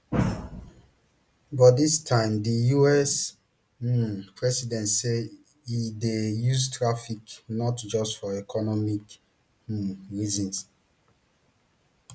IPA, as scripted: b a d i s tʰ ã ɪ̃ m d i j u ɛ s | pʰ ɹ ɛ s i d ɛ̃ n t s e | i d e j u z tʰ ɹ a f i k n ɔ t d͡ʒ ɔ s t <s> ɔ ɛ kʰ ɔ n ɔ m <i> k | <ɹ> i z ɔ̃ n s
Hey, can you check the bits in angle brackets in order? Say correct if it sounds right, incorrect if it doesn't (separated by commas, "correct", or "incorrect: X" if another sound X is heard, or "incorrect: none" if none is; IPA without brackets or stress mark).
incorrect: f, correct, correct